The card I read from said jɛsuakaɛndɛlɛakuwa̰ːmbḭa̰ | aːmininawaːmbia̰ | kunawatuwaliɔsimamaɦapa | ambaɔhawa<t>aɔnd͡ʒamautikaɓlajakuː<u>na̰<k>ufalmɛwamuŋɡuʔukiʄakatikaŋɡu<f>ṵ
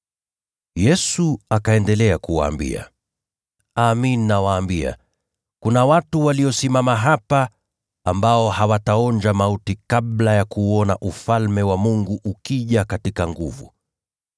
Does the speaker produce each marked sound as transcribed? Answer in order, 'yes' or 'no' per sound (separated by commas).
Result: yes, no, no, no